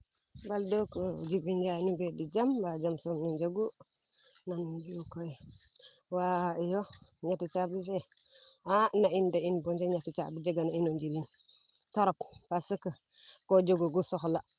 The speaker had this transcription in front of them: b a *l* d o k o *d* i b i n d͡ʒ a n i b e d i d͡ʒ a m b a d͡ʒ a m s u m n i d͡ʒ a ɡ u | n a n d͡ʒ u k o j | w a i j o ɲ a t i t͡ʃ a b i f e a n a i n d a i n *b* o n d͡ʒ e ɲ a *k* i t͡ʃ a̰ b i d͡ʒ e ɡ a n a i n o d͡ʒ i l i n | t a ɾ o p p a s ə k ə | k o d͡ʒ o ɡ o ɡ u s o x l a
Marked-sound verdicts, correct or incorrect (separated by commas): correct, incorrect, correct, incorrect